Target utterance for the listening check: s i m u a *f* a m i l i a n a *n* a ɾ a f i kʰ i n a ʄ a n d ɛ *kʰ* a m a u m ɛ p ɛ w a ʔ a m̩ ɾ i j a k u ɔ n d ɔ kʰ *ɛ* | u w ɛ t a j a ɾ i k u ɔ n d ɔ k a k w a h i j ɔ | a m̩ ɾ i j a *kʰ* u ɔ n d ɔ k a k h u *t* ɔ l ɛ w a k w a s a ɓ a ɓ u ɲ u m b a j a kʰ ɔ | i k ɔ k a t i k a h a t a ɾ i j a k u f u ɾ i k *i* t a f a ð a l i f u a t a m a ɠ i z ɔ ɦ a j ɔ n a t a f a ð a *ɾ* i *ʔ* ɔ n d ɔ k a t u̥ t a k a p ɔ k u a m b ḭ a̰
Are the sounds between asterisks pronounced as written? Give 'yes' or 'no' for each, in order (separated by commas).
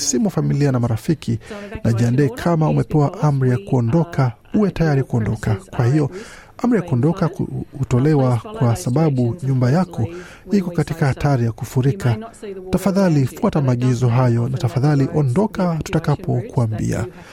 yes, no, yes, no, no, yes, no, no, yes